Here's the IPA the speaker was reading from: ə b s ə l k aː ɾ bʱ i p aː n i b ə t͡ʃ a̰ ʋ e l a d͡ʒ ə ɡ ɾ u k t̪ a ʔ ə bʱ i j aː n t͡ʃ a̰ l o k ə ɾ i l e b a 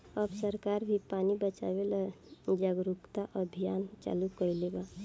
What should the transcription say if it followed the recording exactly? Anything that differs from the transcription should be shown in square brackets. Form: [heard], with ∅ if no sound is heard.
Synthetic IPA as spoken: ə b s ə [ɾ] k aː ɾ bʱ i p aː n i b ə t͡ʃ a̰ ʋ e l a d͡ʒ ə ɡ ɾ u k t̪ a ʔ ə bʱ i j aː n t͡ʃ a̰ l [u] k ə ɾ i l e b a